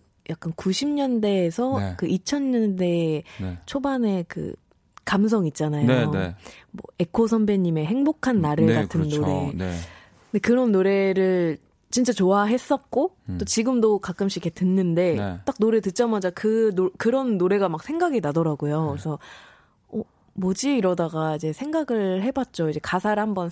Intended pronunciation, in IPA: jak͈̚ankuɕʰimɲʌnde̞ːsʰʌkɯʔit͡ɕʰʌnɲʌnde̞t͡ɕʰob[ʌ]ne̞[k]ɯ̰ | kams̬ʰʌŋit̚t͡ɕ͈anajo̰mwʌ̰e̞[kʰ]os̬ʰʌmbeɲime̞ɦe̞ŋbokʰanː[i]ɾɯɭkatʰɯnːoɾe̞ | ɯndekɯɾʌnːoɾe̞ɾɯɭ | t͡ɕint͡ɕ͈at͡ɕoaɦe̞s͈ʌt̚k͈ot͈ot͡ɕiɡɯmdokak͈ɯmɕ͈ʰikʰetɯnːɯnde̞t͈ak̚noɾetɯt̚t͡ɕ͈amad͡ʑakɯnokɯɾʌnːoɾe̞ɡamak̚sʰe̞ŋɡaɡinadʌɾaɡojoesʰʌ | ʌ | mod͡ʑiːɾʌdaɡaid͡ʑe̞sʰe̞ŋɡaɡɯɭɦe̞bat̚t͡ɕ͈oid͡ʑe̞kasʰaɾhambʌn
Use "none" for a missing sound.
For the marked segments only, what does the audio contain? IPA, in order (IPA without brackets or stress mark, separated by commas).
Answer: a, k, kʰ, a